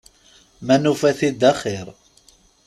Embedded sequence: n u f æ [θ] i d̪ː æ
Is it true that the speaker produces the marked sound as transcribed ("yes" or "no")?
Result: yes